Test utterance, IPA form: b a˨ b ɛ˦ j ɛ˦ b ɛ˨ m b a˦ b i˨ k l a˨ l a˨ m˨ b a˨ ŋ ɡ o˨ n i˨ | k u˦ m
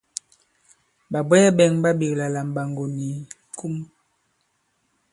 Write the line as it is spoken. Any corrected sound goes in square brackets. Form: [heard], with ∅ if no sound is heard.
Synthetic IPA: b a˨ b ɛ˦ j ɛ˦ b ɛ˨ [ŋ] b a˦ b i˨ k l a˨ l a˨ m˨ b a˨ ŋ ɡ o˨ n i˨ | k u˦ m